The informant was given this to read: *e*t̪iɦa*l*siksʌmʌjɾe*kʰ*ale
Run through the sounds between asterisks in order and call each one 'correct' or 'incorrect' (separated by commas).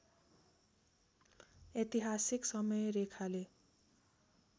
correct, incorrect, correct